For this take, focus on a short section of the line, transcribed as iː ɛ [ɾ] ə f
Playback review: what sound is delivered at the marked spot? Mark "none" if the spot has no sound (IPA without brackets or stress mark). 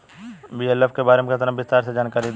l